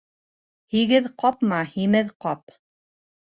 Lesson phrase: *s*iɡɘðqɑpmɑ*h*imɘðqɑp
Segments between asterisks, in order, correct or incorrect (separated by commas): incorrect, correct